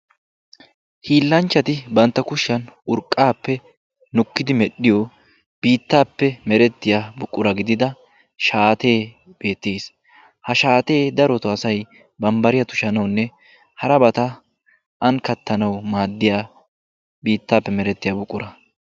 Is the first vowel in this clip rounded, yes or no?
no